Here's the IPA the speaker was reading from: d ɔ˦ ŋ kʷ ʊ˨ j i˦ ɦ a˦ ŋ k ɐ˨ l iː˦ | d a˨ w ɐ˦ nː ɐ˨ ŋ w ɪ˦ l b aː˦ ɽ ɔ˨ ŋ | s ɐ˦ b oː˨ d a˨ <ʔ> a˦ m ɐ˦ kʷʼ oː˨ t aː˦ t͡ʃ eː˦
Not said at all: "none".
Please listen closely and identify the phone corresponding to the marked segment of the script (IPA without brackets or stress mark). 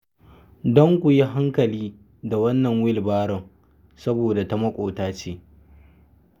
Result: t